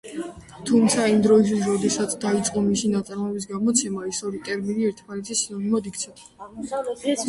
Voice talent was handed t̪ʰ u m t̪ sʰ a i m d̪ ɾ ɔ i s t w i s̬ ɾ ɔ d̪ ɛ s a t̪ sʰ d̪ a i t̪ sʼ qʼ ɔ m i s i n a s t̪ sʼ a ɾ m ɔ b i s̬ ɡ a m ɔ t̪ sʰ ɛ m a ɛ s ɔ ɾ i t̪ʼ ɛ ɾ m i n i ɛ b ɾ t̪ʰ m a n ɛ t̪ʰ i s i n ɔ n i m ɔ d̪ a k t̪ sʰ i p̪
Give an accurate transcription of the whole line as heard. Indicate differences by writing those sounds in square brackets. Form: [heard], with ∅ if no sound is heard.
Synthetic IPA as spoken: t̪ʰ u m t̪ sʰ a i m d̪ ɾ ɔ i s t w i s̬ ɾ ɔ d̪ ɛ s a t̪ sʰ d̪ a i t̪ sʼ qʼ ɔ m i s i n a [∅] t̪ sʼ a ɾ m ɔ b i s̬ ɡ a m ɔ t̪ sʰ ɛ m a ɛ s ɔ ɾ i t̪ʼ ɛ ɾ m i n i ɛ [∅] ɾ t̪ʰ m a n ɛ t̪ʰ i s i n ɔ n i m ɔ d̪ [i] k t̪ sʰ [ɛ] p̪